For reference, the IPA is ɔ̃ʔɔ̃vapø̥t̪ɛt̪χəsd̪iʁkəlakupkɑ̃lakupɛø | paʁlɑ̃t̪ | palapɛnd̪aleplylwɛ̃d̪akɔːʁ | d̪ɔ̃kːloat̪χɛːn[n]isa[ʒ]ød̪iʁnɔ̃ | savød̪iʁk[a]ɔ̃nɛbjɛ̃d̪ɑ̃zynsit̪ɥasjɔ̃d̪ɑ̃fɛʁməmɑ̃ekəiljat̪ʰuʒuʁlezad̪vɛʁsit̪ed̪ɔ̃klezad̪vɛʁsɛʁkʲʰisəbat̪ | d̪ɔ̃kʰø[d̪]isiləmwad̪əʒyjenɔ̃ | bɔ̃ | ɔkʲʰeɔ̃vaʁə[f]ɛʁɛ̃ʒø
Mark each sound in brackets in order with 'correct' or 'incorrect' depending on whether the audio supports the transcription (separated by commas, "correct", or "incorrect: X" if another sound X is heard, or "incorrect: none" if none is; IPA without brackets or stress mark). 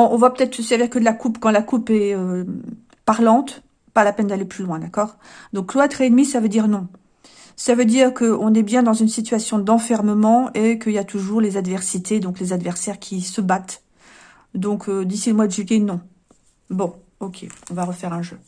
incorrect: m, incorrect: v, incorrect: ə, correct, correct